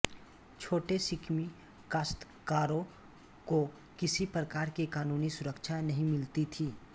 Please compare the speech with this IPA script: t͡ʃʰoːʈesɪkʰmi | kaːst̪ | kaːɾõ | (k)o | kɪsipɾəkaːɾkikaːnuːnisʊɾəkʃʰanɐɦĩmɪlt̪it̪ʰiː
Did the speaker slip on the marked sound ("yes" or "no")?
no